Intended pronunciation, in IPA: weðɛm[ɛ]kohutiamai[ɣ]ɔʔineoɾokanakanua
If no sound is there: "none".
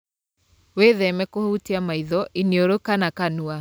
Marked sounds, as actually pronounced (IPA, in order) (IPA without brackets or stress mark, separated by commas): ɛ, ð